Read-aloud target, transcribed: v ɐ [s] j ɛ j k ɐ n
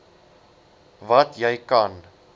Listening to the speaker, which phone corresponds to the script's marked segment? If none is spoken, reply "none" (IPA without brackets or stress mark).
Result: t